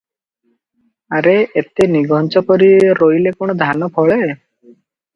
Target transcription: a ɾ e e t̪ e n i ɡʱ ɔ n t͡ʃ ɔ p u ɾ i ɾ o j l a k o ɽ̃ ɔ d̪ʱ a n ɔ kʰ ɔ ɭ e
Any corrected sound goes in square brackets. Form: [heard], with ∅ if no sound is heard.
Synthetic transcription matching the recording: a ɾ e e t̪ e n i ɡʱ ɔ n t͡ʃ ɔ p [ɔ] ɾ i ɾ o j l [e] k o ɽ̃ ɔ d̪ʱ a n ɔ [pʰ] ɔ ɭ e